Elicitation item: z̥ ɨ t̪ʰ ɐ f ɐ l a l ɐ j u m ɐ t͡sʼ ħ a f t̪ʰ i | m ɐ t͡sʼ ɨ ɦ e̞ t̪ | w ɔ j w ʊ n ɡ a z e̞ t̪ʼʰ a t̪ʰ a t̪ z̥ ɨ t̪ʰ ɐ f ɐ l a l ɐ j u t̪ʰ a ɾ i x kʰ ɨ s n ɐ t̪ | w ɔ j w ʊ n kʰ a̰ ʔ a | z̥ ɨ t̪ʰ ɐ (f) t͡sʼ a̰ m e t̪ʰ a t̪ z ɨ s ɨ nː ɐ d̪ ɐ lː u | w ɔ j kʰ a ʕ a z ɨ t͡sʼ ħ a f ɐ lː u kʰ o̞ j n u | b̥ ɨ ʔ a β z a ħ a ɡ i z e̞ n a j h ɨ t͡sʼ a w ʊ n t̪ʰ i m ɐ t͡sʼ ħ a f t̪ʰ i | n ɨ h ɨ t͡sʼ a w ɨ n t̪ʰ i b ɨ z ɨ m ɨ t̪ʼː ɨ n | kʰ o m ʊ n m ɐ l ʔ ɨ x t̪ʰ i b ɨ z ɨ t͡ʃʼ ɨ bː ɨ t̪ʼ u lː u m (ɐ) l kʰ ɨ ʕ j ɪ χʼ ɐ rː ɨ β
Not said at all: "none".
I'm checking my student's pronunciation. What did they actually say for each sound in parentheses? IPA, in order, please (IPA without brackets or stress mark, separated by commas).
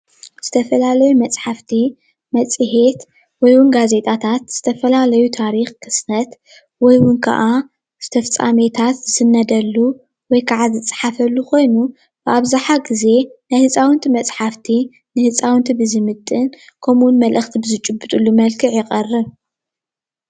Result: f, ɐ